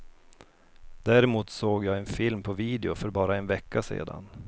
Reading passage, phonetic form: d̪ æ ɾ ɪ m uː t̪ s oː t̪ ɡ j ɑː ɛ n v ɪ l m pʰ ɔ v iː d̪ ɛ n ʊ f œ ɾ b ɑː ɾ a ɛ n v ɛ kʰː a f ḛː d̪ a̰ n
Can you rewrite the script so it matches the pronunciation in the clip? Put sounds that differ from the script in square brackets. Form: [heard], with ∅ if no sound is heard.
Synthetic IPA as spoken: d̪ æ ɾ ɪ m uː t̪ s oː [∅] ɡ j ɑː ɛ n [f] ɪ l m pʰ ɔ v iː d̪ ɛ [∅] ʊ f œ ɾ b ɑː ɾ a ɛ n v ɛ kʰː a [s] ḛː d̪ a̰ n